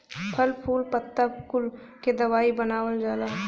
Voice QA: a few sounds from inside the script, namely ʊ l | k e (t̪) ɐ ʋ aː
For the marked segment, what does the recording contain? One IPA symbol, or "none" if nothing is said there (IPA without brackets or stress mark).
d̪